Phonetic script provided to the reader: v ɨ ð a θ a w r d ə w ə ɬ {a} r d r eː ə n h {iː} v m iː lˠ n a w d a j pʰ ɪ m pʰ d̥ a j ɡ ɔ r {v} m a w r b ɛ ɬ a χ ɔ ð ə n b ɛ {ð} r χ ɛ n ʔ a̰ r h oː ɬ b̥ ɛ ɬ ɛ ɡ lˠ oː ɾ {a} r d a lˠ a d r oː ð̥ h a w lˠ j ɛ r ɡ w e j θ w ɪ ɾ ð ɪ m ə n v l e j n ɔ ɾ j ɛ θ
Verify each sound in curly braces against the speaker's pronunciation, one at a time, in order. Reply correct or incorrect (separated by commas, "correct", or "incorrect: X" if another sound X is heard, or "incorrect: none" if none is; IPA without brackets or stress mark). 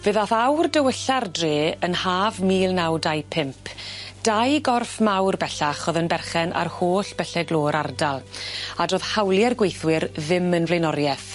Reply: correct, incorrect: aː, incorrect: f, incorrect: none, correct